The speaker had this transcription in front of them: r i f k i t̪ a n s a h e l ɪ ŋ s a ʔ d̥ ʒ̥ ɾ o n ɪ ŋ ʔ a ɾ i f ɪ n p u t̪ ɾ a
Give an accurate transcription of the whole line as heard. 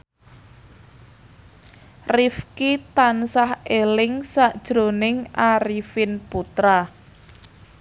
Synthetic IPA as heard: r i f k i t̪ a n s a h e l ɪ ŋ s a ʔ d̥ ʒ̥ ɾ o n ɪ ŋ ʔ a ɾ i f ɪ n p u t̪ ɾ a